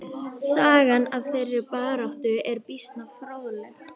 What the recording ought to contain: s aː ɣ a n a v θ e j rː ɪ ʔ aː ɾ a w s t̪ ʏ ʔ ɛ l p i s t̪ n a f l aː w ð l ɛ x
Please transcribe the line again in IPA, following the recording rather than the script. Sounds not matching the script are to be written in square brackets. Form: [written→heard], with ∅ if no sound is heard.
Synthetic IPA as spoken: s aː ɣ a n a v θ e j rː ɪ [ʔ→p] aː ɾ a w [s→h] t̪ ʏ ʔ ɛ [l→ɾ] p i s t̪ n a f [l→ɾ] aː w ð l ɛ x